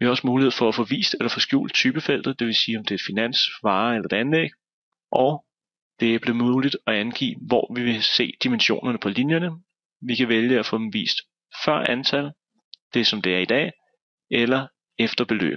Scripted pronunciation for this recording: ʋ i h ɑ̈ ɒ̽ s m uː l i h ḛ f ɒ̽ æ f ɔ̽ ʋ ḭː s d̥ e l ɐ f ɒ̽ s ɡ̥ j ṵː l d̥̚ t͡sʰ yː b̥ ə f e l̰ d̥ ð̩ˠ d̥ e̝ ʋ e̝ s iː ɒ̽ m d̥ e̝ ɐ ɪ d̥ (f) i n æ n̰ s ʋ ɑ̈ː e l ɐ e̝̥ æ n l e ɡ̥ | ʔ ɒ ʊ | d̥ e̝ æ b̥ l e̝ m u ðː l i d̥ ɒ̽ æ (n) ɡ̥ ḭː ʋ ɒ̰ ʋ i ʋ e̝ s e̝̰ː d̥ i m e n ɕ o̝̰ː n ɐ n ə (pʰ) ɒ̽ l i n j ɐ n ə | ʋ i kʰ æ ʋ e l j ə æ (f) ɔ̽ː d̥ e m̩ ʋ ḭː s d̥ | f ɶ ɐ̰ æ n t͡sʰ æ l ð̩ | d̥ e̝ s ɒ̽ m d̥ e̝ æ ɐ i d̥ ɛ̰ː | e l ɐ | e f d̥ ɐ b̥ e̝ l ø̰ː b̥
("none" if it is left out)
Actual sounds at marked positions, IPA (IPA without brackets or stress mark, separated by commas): f, n, pʰ, f